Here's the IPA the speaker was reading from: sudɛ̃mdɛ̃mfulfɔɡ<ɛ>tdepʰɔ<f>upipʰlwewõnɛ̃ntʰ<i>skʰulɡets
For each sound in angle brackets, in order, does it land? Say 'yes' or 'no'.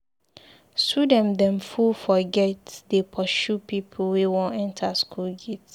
yes, no, no

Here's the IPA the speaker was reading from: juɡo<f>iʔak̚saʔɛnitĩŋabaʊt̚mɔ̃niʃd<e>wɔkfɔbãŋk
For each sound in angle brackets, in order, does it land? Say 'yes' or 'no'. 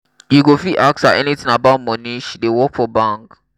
yes, yes

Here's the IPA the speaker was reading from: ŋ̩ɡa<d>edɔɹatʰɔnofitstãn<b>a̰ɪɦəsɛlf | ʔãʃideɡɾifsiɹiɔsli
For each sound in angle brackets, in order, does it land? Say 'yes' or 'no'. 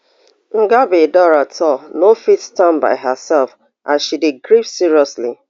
no, yes

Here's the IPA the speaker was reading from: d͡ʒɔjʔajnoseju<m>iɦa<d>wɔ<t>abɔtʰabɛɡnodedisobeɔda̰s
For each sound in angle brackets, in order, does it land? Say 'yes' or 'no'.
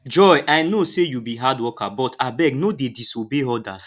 no, yes, no

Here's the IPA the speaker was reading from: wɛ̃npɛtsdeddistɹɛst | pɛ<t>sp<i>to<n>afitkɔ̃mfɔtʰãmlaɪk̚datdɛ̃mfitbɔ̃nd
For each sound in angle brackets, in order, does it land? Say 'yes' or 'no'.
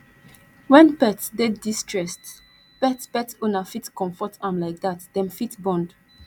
yes, no, yes

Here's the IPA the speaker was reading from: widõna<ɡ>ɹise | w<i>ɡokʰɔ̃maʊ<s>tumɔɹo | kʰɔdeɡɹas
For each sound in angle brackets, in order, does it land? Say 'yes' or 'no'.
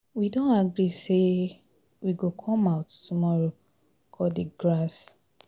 yes, yes, no

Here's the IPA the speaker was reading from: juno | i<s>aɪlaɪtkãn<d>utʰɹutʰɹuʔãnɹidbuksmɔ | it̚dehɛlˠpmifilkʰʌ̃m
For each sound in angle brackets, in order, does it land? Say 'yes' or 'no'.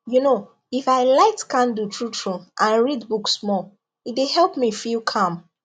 no, yes

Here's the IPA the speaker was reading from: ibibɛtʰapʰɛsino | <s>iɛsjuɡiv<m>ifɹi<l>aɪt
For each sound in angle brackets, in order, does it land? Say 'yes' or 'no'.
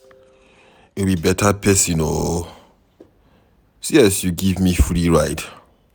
yes, yes, no

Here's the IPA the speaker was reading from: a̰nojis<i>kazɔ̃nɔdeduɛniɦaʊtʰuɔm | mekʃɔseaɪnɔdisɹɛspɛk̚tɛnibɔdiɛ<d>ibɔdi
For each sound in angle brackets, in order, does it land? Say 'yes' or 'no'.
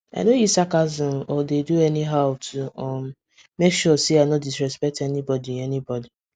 no, no

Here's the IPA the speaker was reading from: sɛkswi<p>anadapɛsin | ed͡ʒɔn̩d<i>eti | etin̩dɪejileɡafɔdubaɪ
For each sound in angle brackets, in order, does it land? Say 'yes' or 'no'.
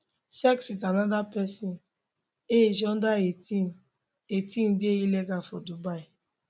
no, no

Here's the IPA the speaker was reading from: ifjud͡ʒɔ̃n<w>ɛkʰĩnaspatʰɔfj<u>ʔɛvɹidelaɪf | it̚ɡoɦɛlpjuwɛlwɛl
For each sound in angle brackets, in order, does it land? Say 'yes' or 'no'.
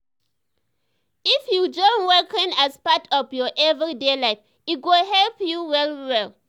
yes, no

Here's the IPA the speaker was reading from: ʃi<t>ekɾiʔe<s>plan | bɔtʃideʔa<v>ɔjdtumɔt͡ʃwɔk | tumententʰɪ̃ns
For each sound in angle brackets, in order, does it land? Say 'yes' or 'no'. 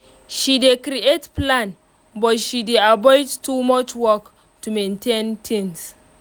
no, no, no

